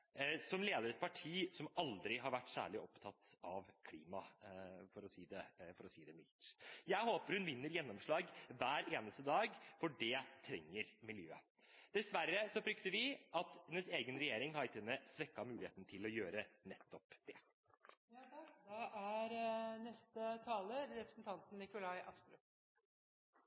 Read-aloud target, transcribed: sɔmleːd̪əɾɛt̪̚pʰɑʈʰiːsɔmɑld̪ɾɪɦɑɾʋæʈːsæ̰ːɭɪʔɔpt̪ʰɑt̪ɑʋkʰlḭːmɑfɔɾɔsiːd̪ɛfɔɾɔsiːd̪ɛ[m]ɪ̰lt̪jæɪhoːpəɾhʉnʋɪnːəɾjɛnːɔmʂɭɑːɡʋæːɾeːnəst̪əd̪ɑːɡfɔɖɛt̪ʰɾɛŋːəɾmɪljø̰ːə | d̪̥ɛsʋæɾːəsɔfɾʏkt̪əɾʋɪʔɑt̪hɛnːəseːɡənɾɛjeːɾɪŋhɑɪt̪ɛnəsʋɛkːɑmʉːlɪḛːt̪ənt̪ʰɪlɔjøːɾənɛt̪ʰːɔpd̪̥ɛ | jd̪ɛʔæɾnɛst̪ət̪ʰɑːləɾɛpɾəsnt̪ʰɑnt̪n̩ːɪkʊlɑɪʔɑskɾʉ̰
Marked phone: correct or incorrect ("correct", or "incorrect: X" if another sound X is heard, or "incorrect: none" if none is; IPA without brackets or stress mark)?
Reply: correct